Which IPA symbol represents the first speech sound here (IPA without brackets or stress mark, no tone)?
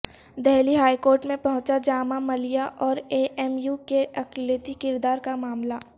d̪